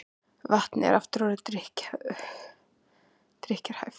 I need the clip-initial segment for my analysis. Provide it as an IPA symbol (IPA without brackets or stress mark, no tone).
v